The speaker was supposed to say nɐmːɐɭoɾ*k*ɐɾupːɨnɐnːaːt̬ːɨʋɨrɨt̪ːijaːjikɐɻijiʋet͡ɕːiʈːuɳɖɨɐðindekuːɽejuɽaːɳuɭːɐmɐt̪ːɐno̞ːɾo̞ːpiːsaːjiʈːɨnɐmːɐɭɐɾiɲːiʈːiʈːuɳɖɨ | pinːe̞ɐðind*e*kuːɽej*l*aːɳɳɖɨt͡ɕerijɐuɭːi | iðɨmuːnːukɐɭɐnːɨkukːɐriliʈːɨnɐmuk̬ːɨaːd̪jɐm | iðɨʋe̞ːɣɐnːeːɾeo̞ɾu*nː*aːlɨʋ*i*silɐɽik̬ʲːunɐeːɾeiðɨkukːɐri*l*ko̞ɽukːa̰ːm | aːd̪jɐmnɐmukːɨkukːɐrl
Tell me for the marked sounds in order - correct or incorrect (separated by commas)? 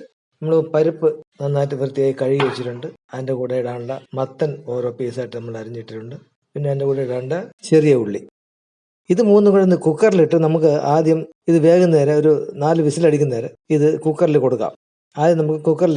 incorrect, correct, incorrect, incorrect, correct, correct